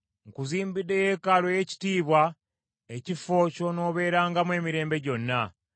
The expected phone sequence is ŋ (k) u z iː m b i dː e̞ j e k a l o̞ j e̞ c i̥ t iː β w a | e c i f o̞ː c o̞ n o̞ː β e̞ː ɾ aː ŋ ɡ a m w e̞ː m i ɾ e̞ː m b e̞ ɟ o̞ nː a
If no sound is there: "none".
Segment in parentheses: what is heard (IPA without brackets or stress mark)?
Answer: k